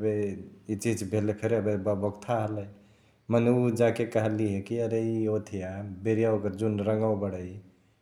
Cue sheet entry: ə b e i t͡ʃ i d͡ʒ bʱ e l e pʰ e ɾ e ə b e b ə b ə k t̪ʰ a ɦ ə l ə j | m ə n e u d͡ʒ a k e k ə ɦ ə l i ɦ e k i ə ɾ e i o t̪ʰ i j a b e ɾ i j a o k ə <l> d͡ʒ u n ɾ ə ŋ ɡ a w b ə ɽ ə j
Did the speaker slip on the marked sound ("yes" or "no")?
yes